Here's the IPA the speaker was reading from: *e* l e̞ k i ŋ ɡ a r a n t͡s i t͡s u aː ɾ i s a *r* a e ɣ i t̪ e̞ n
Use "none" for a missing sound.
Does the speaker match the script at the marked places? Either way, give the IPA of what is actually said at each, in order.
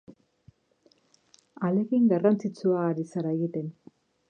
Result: a, ɾ

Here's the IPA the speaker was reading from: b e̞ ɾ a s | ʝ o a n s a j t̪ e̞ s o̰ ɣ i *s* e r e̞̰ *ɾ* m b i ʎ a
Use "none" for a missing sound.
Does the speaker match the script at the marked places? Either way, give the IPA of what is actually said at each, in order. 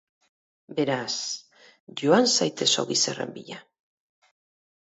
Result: s, none

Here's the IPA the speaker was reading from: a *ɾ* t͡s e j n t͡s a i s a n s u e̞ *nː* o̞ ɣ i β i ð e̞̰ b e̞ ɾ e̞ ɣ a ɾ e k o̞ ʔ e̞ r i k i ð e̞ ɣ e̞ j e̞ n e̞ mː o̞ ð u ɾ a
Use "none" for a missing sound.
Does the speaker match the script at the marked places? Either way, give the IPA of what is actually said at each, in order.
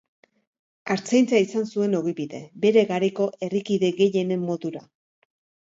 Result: ɾ, n

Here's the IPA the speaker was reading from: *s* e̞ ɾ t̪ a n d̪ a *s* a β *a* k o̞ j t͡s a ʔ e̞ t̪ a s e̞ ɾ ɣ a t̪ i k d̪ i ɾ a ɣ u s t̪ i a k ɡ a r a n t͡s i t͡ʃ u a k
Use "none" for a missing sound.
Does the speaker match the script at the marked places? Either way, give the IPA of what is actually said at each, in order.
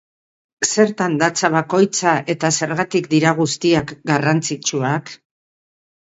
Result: s, t͡s, a

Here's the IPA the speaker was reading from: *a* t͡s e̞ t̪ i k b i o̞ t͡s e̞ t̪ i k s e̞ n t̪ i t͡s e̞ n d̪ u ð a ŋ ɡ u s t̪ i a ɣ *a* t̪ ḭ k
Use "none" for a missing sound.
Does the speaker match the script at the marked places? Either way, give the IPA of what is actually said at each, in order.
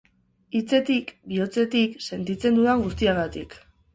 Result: i, a

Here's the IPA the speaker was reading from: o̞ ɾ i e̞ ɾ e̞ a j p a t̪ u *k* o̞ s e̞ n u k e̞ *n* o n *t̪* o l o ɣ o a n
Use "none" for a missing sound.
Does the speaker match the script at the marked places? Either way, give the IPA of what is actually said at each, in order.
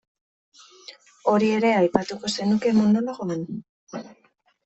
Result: k, m, d̪

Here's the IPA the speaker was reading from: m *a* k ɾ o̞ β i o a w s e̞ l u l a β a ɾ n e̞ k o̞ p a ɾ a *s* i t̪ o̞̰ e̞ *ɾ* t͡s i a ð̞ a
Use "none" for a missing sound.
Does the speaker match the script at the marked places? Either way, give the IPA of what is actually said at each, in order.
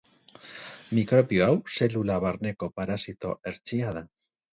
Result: i, s, ɾ

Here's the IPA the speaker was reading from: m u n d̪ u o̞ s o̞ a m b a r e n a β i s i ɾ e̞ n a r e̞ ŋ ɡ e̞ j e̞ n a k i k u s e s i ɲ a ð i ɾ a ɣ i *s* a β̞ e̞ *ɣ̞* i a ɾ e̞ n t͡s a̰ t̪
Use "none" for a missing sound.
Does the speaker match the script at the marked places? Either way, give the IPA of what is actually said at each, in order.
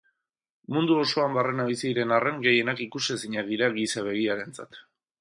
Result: s, ɣ̞

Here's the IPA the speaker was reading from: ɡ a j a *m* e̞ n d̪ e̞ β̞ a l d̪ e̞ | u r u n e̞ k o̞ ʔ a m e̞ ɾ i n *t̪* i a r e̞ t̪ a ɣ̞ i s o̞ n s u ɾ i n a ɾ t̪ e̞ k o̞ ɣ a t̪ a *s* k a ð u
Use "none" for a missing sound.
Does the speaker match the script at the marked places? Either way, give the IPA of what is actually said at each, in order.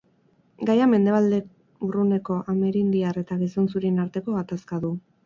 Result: m, d̪, s

